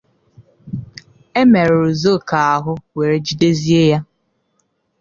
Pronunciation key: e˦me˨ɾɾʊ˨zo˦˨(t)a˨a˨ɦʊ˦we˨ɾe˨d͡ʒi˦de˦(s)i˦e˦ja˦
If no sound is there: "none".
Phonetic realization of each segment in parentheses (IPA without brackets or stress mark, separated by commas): k, z